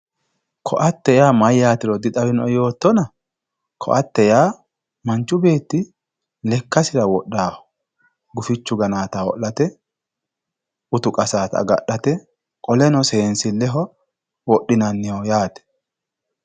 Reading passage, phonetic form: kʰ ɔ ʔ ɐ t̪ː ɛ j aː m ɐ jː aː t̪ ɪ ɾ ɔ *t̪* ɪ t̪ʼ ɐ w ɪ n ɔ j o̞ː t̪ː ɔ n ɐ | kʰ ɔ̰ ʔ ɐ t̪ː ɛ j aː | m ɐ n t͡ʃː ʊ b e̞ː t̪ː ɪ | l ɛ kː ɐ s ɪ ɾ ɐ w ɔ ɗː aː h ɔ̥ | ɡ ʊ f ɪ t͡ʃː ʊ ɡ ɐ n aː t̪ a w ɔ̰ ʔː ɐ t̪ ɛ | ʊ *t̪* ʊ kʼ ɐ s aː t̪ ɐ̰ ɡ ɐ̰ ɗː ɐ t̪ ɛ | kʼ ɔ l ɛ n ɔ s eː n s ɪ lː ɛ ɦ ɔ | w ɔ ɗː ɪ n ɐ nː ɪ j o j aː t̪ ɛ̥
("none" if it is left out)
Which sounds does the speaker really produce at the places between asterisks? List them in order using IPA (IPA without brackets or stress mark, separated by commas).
d̪, t̪